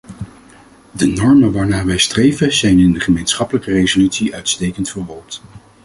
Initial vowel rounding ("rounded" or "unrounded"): unrounded